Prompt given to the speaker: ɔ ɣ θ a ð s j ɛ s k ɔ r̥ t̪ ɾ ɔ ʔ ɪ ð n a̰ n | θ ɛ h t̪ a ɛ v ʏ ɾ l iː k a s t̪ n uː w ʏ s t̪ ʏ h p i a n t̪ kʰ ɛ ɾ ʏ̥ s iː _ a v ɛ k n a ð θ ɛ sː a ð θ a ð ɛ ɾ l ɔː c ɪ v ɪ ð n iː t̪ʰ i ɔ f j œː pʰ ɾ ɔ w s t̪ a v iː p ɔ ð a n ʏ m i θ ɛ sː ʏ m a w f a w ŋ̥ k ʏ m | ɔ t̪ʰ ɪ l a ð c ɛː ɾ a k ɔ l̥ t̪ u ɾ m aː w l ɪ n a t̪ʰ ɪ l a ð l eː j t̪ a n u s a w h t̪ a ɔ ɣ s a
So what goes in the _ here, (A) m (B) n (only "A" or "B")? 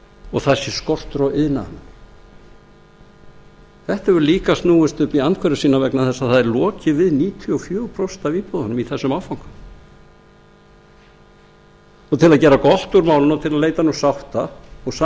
B